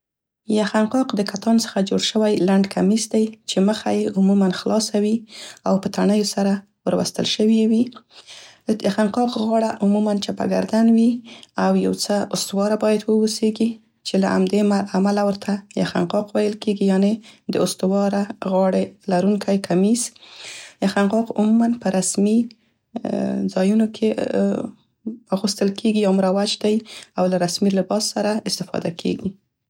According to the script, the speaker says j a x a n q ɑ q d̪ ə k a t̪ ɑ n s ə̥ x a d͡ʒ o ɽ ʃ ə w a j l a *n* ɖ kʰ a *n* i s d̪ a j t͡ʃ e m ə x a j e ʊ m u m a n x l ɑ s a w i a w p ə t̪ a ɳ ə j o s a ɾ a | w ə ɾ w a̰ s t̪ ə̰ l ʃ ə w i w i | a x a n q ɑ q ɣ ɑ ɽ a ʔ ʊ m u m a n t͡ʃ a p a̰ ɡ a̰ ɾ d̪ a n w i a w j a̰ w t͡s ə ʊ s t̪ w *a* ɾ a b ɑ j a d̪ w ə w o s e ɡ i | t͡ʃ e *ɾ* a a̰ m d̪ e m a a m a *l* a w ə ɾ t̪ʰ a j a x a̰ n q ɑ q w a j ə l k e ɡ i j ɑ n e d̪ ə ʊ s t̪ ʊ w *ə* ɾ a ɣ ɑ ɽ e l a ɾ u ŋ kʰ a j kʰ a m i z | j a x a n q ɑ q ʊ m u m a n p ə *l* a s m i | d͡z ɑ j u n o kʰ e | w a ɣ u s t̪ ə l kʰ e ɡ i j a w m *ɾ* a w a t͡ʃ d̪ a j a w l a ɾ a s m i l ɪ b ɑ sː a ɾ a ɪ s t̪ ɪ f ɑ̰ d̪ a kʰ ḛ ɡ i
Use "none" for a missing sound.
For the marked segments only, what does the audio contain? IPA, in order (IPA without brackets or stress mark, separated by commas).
ɳ, m, ɑ, l, l, ɑ, ɾ, ɾ